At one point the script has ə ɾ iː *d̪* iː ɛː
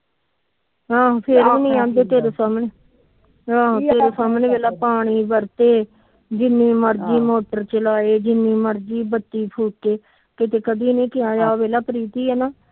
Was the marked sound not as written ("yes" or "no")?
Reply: yes